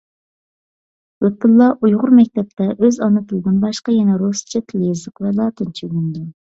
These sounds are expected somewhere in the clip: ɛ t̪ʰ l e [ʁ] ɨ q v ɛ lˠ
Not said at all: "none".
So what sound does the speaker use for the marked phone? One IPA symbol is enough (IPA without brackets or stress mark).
z